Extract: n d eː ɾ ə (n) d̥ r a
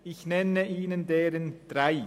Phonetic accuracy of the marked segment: correct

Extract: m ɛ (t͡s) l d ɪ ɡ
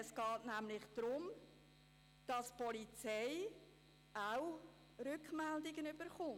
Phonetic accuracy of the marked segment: incorrect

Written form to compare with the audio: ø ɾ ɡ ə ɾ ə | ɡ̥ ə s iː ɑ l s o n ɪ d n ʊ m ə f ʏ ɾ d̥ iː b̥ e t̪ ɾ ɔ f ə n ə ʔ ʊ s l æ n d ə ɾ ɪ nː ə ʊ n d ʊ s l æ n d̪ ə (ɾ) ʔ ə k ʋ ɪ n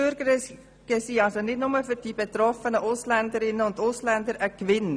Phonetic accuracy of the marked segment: correct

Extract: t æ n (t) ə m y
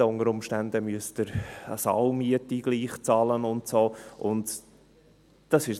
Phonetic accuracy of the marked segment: incorrect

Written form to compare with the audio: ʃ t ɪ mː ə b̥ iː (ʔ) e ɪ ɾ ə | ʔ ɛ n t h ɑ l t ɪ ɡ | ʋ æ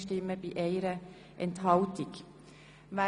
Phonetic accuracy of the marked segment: correct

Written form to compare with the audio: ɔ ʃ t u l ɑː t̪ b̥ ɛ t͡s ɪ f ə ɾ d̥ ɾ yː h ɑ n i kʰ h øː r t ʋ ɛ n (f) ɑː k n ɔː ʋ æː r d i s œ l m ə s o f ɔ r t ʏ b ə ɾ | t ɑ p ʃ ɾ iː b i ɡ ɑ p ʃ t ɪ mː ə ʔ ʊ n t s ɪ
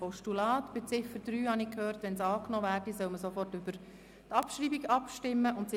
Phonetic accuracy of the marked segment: incorrect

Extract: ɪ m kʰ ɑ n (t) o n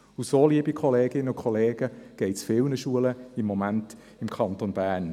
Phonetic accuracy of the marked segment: correct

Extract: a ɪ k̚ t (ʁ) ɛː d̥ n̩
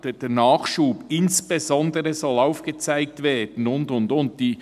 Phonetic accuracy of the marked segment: incorrect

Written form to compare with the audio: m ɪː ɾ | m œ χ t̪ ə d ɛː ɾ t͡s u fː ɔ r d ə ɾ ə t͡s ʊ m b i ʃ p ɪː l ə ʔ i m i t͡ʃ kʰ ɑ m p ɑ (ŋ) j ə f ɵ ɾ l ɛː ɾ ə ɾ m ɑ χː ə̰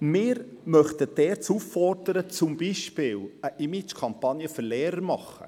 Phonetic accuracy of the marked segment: incorrect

